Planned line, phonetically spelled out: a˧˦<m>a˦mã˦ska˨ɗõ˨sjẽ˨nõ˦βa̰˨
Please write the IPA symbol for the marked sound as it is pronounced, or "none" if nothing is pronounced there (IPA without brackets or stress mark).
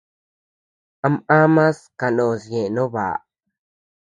m